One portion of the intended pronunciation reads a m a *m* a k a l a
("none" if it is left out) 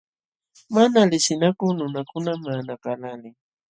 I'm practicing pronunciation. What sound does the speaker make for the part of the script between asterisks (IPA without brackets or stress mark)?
n